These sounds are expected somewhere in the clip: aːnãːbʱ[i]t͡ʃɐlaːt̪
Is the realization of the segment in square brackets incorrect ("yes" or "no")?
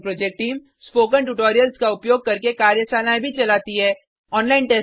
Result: no